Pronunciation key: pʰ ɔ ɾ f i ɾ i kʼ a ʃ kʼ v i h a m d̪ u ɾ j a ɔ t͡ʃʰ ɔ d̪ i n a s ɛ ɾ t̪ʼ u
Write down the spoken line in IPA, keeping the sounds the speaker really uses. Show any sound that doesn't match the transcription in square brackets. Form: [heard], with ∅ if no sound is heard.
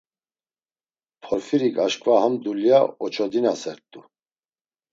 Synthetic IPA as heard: pʰ ɔ ɾ f i ɾ i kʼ a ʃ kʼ v [a] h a m d̪ u [l] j a ɔ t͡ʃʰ ɔ d̪ i n a s ɛ ɾ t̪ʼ u